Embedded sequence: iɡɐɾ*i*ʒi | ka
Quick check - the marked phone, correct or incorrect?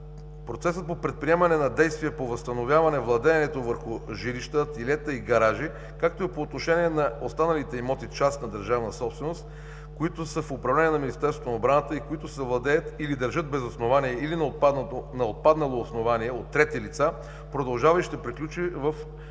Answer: incorrect